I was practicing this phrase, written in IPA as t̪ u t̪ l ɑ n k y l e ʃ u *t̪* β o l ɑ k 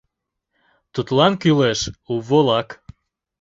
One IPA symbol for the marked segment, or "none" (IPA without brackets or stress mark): none